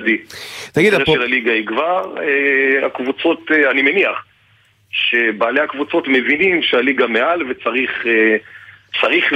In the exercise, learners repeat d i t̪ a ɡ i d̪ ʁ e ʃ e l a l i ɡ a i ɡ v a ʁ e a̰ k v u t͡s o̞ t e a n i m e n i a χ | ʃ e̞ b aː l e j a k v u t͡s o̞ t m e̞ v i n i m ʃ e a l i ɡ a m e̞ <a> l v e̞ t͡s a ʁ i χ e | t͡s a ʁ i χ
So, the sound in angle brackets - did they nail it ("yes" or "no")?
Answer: yes